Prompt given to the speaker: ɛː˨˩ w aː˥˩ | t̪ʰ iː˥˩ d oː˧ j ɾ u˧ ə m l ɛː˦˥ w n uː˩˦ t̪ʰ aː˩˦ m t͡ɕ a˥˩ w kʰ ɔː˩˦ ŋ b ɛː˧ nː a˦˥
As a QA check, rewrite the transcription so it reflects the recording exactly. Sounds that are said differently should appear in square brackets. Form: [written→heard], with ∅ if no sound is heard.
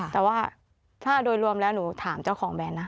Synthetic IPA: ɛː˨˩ w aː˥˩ | t̪ʰ [iː˥˩→aː˥˩] d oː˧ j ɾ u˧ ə m l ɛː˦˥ w n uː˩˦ t̪ʰ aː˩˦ m t͡ɕ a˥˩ w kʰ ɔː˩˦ ŋ b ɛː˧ nː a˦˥